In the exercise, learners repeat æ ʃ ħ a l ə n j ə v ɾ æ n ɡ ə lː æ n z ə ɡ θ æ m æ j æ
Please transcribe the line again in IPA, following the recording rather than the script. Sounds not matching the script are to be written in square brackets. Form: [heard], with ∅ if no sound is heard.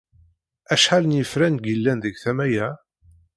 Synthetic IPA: æ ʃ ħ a l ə n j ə [f] ɾ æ n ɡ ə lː æ n [ð] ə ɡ θ æ m æ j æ